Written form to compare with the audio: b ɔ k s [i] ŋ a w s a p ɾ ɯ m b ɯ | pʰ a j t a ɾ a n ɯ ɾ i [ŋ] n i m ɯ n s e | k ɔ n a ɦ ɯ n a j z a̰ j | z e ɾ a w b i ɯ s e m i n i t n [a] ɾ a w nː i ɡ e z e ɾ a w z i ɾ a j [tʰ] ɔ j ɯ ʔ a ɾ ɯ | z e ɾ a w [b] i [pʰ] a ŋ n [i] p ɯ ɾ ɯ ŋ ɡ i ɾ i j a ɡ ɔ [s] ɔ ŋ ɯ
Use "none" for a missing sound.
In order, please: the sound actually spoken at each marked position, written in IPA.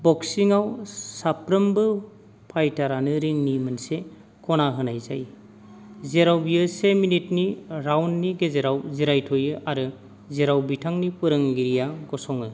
i, ŋ, i, tʰ, b, tʰ, i, s

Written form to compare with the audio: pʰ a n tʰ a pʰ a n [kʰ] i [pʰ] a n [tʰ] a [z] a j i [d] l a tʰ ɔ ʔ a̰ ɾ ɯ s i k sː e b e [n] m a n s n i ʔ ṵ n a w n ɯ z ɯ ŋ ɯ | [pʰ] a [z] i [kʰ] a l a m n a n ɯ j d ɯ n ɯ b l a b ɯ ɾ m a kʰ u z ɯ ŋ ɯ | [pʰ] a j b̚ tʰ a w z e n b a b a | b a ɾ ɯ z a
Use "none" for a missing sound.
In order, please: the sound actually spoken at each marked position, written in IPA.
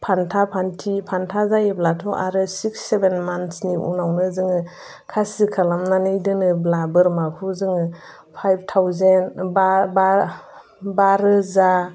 tʰ, pʰ, tʰ, z, b, n, kʰ, s, kʰ, pʰ

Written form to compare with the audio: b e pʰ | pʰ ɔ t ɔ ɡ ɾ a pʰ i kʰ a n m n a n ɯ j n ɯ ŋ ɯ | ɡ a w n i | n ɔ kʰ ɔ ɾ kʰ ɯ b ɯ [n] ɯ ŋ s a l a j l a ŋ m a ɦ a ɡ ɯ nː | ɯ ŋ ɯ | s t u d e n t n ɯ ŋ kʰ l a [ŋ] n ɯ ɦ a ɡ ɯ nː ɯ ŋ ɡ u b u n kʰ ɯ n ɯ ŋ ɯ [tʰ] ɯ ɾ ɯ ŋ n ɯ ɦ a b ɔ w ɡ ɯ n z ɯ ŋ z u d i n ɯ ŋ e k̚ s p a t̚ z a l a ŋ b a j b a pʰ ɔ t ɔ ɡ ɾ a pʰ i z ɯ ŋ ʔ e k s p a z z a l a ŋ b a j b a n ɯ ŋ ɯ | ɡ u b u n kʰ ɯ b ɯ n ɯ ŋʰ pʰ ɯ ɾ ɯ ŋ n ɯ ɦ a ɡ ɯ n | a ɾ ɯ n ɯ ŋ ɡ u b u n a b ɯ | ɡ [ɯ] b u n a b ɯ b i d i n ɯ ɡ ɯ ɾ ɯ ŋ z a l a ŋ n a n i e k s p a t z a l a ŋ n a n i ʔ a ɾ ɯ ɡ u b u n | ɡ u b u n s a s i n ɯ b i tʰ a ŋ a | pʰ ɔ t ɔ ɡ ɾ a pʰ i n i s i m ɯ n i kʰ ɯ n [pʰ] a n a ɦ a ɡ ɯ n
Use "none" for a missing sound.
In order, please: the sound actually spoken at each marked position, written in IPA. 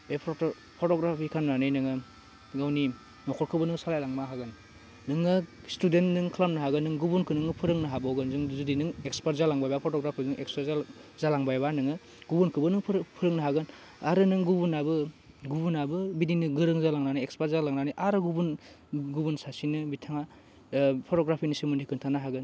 n, m, pʰ, u, tʰ

